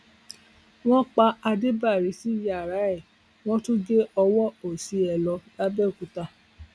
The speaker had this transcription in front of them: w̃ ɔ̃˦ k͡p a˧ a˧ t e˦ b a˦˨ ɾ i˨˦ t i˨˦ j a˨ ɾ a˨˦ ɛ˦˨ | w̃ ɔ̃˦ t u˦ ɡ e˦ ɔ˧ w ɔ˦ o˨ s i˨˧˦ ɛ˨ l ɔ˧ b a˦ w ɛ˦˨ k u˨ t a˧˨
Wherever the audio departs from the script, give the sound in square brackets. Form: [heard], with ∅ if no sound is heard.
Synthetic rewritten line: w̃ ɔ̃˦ k͡p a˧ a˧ [d] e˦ b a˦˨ ɾ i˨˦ [s] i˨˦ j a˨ ɾ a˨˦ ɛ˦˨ | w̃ ɔ̃˦ t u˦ ɡ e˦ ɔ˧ w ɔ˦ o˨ s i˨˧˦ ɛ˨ l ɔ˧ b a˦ [b] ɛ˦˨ k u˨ t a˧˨